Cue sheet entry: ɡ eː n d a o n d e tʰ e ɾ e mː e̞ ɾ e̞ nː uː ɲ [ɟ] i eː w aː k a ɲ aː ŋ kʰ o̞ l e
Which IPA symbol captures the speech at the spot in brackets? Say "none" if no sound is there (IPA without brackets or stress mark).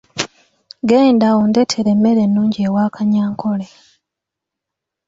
ɟ